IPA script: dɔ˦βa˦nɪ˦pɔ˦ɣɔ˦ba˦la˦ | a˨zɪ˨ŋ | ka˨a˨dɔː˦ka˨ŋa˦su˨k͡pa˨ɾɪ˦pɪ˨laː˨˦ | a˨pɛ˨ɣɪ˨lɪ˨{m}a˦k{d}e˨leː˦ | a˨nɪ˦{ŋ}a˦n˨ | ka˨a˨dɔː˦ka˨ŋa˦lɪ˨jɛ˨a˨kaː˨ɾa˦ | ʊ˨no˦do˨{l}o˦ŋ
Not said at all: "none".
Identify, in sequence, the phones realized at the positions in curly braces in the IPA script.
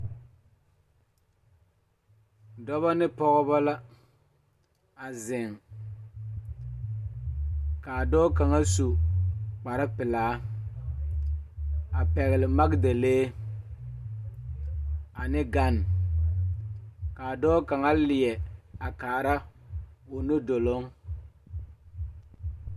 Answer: m, d, ɡ, l

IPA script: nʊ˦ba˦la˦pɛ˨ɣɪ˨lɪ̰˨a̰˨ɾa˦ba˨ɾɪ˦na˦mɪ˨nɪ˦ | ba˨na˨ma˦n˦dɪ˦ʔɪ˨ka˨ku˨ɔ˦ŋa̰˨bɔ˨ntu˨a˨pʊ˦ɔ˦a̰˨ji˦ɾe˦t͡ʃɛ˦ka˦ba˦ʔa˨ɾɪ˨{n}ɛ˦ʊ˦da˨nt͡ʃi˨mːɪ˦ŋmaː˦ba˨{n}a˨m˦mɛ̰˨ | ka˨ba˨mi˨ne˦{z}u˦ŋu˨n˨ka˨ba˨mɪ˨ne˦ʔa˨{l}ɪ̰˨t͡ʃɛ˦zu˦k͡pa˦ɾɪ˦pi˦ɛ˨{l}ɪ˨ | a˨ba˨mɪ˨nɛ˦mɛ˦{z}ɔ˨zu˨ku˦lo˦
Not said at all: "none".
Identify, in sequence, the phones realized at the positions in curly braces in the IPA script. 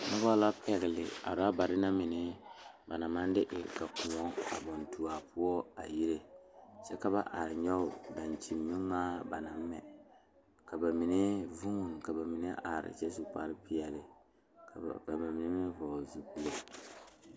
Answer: ɲ, n, v, ɾ, l, v

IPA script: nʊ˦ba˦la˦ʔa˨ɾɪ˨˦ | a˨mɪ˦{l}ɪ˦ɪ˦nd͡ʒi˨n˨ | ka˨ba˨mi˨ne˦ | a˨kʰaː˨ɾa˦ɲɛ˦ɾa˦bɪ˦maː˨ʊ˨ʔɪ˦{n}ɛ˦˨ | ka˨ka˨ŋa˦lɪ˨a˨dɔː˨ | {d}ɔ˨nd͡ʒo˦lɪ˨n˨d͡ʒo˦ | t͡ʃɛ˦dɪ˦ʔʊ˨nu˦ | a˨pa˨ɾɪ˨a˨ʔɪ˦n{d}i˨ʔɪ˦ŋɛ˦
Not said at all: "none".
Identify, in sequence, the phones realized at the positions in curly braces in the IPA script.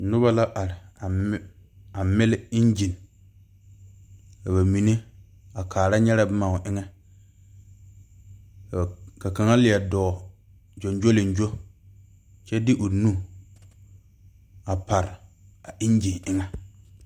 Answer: l, ŋ, d͡ʒ, d͡ʒ

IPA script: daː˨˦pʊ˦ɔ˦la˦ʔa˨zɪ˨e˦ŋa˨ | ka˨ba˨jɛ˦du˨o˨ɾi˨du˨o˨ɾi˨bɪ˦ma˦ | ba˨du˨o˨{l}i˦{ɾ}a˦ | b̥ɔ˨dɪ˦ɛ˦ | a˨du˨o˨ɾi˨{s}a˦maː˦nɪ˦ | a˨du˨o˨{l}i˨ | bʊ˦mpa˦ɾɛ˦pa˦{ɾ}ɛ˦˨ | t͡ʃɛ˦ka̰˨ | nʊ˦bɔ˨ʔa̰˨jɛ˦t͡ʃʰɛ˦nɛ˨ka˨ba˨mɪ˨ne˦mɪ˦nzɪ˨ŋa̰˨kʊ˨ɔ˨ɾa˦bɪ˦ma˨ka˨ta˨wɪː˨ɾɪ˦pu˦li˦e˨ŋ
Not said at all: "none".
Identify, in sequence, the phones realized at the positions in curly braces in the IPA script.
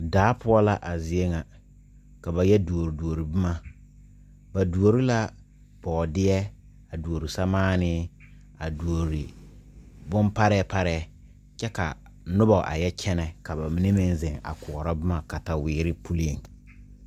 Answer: ɾ, l, s, ɾ, ɾ

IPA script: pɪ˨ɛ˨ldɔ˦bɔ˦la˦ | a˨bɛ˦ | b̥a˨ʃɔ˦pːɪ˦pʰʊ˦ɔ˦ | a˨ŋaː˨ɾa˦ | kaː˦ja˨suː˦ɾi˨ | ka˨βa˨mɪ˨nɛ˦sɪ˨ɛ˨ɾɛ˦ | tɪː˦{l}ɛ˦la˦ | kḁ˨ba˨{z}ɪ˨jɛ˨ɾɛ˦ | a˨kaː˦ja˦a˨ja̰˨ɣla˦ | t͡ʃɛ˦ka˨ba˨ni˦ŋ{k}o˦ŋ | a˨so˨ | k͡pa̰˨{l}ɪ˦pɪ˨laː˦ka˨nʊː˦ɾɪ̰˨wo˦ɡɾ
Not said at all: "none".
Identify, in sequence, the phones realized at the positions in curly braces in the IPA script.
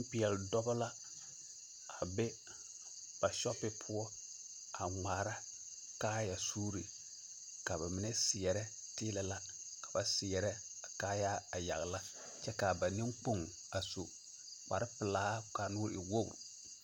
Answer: l, s, k͡p, ɾ

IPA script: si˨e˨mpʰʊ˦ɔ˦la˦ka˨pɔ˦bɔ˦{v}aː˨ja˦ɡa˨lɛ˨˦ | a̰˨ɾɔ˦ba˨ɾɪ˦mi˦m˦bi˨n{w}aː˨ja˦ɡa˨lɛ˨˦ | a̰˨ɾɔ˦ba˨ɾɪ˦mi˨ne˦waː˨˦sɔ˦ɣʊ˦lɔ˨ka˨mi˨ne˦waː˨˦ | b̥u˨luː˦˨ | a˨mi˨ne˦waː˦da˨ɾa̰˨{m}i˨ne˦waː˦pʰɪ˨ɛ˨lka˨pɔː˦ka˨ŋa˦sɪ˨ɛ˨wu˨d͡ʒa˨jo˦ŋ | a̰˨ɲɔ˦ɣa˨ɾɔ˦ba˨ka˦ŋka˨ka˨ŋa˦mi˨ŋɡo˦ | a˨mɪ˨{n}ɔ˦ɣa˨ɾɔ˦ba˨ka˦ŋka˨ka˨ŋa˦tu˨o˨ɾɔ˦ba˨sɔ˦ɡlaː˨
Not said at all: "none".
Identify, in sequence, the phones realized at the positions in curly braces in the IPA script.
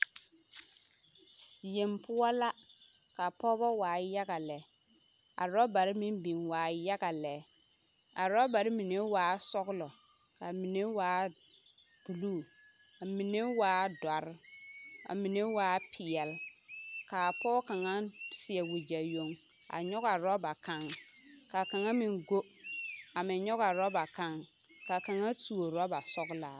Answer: w, w, m, ɲ

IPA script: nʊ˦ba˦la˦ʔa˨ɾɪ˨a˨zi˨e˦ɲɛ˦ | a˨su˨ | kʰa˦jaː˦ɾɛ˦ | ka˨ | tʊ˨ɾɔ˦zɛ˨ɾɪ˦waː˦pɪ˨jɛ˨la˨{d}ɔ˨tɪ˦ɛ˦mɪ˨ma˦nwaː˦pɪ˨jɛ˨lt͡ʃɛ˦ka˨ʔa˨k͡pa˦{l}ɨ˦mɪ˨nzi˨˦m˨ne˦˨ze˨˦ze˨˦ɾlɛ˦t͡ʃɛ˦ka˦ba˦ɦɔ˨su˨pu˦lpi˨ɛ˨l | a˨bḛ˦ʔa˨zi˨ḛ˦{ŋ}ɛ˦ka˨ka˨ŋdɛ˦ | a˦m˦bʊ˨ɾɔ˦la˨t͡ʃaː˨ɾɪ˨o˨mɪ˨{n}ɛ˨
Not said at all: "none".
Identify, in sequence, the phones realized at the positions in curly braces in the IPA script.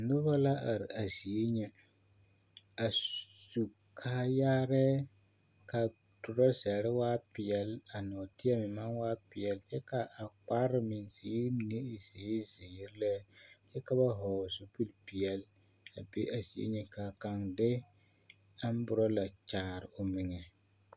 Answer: n, ɾ, ɲ, ŋ

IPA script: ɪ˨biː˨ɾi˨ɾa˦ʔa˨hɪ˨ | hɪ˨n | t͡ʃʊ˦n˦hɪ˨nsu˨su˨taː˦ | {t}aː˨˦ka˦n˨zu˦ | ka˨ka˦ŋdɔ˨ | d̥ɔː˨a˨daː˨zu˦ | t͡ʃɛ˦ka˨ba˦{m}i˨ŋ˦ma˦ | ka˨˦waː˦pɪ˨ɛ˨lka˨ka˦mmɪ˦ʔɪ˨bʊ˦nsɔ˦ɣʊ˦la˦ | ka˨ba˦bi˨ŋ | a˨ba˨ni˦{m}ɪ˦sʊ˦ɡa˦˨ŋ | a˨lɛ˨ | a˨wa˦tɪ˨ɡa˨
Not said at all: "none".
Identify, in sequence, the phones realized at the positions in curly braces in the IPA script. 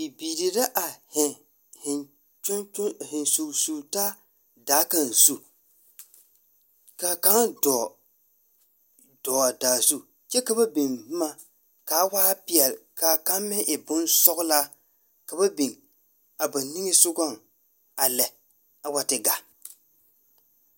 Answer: d, b, ŋ

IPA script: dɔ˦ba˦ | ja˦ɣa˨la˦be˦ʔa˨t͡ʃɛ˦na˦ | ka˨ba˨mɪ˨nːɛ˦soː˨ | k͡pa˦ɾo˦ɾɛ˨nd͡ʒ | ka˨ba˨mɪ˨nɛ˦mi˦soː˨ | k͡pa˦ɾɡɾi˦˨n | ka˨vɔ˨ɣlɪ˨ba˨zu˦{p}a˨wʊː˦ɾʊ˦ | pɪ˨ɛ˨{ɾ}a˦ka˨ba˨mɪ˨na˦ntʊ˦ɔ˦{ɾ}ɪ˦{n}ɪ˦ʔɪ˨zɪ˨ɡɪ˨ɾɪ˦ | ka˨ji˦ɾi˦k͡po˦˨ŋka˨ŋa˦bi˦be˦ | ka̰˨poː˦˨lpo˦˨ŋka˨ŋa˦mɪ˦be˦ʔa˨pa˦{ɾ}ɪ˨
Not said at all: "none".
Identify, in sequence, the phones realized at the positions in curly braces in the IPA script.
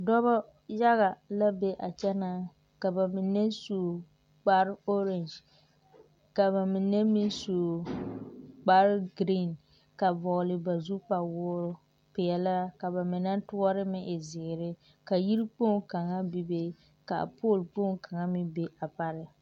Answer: p, l, ɾ, m, ɾ

